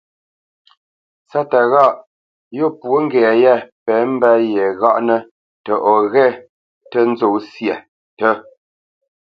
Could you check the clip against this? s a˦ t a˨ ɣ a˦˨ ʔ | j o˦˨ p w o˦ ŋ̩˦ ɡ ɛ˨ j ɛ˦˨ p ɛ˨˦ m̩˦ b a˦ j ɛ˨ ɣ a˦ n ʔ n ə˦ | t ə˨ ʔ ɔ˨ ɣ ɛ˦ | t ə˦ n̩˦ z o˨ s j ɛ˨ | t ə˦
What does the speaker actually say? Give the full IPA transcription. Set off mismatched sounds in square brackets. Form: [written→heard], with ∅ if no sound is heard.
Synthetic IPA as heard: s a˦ t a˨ ɣ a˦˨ ʔ | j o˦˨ p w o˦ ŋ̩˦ ɡ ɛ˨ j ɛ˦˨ p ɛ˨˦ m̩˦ b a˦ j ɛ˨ ɣ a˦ [n→∅] ʔ n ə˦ | t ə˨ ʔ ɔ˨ ɣ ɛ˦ | t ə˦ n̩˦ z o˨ s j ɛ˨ | t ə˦